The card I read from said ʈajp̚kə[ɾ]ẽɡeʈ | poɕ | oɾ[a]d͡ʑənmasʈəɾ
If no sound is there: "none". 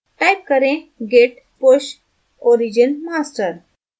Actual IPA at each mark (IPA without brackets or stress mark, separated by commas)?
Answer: ɾ, i